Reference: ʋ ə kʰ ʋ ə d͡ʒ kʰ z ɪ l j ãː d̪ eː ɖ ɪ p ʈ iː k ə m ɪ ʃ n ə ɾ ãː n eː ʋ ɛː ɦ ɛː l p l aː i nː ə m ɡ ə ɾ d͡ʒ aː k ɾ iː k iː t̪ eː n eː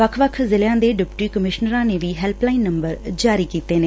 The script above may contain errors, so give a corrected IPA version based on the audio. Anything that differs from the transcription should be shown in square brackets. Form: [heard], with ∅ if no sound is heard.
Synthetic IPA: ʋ ə kʰ ʋ ə [∅] kʰ z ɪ l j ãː d̪ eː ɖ ɪ p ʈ iː k ə m ɪ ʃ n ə ɾ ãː n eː ʋ [iː] ɦ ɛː l p l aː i nː ə m [b] ə ɾ d͡ʒ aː [∅] ɾ iː k iː t̪ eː n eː